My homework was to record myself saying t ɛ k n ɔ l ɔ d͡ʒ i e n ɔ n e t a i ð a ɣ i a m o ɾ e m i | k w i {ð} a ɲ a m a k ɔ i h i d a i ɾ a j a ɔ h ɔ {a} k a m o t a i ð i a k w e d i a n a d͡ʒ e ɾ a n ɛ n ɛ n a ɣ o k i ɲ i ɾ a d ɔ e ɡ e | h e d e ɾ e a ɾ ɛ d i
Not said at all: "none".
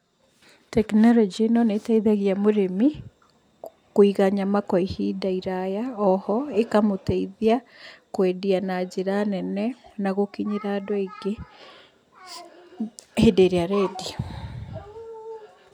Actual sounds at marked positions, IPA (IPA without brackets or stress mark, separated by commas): ɣ, e